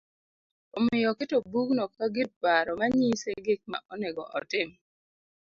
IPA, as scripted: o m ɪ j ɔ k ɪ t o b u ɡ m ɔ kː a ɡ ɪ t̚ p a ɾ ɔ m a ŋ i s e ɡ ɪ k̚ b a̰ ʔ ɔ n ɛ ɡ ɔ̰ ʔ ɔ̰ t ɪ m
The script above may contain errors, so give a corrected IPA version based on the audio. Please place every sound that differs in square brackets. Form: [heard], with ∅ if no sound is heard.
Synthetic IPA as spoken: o m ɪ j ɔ k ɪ t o b u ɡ [n] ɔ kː a ɡ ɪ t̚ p a ɾ ɔ m a [ɲ] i s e ɡ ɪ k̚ [m] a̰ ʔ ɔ n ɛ ɡ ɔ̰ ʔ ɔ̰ t ɪ m